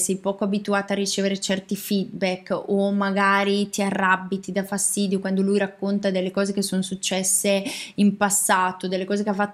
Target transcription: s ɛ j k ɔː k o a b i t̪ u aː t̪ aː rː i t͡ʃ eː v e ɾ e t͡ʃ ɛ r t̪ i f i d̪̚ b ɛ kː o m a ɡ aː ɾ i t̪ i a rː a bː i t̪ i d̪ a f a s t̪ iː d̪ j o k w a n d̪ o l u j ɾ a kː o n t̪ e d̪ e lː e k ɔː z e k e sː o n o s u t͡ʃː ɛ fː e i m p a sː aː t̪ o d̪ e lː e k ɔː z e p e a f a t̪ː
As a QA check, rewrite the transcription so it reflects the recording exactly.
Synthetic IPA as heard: s ɛ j p ɔː k o a b i t̪ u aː t̪ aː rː i t͡ʃ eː v e ɾ e t͡ʃ ɛ r t̪ i f i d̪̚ b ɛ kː o m a ɡ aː ɾ i t̪ i a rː a bː i t̪ i d̪ a f a s t̪ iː d̪ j o k w a n d̪ o l u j ɾ a kː o n t̪ a d̪ e lː e k ɔː z e k e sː o n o s u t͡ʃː ɛ sː e i m p a sː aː t̪ o d̪ e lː e k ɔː z e k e a f a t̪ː